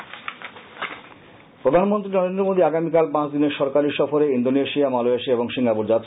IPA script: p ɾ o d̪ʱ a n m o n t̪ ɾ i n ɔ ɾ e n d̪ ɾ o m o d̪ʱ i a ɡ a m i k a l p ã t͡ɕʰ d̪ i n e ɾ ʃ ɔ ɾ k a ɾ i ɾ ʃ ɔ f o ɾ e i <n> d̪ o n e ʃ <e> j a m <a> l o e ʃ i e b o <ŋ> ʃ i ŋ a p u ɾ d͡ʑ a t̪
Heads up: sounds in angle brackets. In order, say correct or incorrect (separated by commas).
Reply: correct, incorrect, correct, correct